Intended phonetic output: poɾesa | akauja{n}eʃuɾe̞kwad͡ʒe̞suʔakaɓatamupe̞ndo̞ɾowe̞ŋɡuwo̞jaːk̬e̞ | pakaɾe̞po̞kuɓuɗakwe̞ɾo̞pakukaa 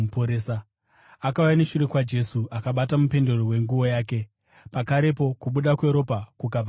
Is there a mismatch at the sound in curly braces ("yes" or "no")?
no